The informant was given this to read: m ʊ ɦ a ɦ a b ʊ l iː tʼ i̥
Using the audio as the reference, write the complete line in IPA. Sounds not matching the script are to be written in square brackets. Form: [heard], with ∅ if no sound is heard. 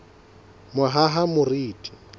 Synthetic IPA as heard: m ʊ ɦ a ɦ a [m] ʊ [r] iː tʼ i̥